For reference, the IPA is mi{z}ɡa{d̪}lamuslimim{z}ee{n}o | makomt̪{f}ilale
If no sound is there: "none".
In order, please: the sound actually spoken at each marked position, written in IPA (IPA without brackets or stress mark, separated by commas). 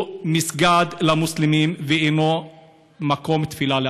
s, d̪, v, n, f